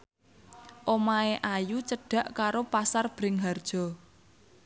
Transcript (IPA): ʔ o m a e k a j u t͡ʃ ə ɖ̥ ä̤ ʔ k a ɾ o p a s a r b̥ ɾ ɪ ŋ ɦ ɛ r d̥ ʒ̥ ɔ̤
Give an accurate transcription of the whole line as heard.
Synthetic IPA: ʔ o m a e ʔ a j u t͡ʃ ə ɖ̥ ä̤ ʔ k a ɾ o p a s a r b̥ ɾ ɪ ŋ ɦ a r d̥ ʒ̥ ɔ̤